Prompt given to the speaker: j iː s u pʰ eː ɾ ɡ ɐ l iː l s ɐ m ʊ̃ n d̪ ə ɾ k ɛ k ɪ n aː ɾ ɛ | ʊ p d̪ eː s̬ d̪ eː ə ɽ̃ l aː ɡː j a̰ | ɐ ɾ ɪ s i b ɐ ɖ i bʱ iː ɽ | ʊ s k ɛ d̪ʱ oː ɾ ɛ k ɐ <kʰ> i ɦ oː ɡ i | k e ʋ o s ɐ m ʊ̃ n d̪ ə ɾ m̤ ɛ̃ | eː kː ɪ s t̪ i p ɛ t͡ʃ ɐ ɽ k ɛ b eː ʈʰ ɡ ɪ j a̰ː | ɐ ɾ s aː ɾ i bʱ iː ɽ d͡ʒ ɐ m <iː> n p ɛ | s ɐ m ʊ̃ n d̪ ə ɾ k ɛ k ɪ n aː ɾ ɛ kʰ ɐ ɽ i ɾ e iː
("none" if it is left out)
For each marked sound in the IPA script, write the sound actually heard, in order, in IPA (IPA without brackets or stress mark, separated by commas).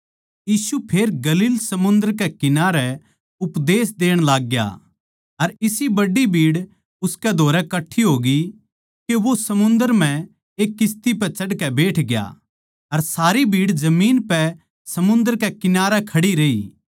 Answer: ʈʰ, iː